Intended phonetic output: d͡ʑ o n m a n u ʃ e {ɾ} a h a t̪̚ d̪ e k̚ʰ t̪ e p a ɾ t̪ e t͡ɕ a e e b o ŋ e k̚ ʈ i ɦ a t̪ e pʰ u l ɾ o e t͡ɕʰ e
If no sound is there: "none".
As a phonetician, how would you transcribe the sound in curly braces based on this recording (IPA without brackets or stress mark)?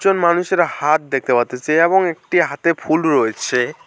ɾ